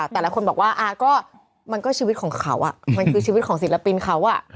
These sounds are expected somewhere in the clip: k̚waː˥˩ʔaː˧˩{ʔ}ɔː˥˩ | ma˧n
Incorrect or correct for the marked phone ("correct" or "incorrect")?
incorrect